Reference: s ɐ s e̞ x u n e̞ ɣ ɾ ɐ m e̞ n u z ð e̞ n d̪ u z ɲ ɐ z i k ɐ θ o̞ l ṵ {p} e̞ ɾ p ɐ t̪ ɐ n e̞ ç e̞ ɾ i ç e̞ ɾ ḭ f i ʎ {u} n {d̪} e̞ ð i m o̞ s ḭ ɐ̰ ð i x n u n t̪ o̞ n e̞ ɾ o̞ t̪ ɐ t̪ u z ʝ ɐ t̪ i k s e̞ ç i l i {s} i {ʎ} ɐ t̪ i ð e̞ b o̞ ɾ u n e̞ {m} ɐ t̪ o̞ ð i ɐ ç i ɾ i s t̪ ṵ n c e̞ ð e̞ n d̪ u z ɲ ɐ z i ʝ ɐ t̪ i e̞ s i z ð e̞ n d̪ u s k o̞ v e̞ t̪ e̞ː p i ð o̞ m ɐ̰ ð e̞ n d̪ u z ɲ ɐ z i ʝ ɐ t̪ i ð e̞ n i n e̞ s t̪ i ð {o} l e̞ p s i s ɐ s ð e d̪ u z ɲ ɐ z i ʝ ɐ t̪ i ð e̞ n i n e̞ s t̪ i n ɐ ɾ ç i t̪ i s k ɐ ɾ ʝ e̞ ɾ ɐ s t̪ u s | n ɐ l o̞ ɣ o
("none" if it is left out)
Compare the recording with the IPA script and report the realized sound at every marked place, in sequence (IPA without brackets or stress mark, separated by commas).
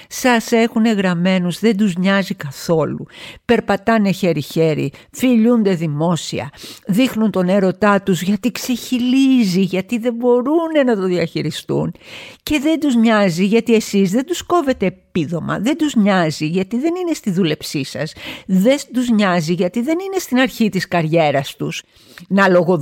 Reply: p, u, d̪, z, ʝ, n, u